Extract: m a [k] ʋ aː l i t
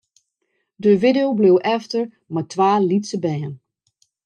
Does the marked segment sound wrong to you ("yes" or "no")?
yes